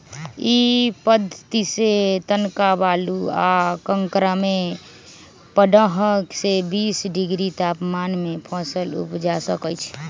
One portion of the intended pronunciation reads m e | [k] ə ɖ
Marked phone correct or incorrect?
incorrect